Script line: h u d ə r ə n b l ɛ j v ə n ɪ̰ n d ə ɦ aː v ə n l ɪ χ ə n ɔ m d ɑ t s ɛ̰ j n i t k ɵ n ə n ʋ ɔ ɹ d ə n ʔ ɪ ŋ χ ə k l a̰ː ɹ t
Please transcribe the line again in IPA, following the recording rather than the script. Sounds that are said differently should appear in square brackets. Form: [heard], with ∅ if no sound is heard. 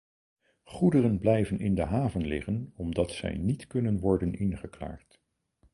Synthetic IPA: [χ] u d ə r ə n b l ɛ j v ə n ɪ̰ n d ə ɦ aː v ə n l ɪ χ ə n ɔ m d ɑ t s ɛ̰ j n i t k ɵ n ə n ʋ ɔ ɹ d ə n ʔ ɪ [n] χ ə k l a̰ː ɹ t

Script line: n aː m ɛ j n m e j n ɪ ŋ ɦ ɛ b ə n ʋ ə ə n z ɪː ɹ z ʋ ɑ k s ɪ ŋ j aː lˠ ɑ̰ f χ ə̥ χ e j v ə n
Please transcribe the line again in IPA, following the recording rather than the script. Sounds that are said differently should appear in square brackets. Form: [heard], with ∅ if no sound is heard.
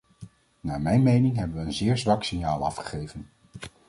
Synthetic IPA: n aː m ɛ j n m e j n ɪ ŋ ɦ ɛ b ə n ʋ ə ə n z ɪː ɹ z ʋ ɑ k s ɪ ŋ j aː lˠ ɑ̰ f χ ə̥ χ e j v ə n

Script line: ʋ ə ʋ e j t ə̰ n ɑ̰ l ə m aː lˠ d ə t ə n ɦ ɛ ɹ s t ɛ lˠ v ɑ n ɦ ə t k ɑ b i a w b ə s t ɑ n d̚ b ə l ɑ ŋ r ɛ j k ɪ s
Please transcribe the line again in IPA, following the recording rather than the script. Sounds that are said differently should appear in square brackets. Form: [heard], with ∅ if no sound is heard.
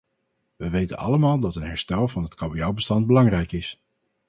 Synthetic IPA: ʋ ə ʋ e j t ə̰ n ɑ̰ l ə m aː lˠ d [ɑ] t ə n ɦ ɛ ɹ s t ɛ lˠ v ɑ n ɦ ə t k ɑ b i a w b ə s t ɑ n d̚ b ə l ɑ ŋ r ɛ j k ɪ s

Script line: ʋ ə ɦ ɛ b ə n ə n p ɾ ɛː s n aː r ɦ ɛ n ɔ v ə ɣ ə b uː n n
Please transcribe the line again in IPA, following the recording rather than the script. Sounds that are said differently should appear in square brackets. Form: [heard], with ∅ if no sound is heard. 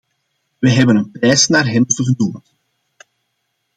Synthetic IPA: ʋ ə ɦ ɛ b ə n ə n p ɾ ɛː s n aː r ɦ ɛ n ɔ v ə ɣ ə [d] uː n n

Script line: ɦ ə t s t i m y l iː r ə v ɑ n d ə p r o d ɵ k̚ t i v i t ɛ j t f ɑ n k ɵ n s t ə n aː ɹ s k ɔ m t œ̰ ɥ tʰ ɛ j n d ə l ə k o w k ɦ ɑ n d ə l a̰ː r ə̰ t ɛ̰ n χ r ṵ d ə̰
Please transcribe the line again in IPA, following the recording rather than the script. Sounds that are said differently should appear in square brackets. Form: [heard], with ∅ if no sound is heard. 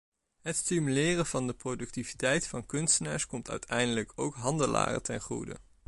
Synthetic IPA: ɦ ə t s t i m y l [ɪː] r ə v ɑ n d ə p r o d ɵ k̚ t i v i t ɛ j t f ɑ n k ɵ n s t ə n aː ɹ s k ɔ m t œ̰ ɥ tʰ ɛ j n d ə l ə k o w k ɦ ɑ n d ə l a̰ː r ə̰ t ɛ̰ n χ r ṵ d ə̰

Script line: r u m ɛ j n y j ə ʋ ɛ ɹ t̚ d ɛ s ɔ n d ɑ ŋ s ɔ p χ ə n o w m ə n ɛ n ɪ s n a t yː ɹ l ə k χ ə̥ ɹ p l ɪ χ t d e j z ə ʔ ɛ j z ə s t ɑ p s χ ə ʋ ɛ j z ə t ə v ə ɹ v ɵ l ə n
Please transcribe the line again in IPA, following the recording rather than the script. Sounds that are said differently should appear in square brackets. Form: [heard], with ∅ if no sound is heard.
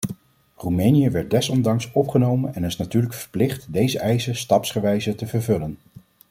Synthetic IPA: r u m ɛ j n [i] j ə ʋ ɛ ɹ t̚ d ɛ s ɔ n d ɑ ŋ s ɔ p χ ə n o w m ə n ɛ n ɪ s n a t yː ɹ l ə k [f] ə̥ ɹ p l ɪ χ t d e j z ə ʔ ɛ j z ə s t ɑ p s χ ə ʋ ɛ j z ə t ə v ə ɹ v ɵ l ə n

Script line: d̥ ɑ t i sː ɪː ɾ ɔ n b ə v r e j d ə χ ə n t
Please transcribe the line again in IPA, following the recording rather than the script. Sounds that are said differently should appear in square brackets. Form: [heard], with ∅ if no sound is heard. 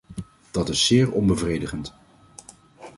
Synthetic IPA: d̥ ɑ t [ɪ] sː ɪː [ɹ] ɔ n b ə v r e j d ə χ ə n t

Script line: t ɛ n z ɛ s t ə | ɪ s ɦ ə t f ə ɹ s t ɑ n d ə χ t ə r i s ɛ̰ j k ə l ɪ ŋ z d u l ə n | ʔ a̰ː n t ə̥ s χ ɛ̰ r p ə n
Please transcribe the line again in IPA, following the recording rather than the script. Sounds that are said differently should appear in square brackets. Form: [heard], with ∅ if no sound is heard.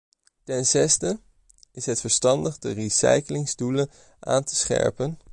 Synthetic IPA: t ɛ n z ɛ s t ə | ɪ s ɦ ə t f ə ɹ s t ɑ n d ə χ [d] ə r i s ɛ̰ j k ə l ɪ ŋ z d u l ə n | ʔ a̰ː n t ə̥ s χ ɛ̰ [ɹ] p ə n

